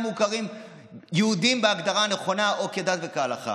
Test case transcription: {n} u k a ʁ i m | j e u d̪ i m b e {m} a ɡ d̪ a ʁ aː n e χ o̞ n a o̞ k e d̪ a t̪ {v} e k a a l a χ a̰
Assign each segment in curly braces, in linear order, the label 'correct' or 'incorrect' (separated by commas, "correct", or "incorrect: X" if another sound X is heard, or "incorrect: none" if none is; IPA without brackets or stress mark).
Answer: incorrect: m, incorrect: none, correct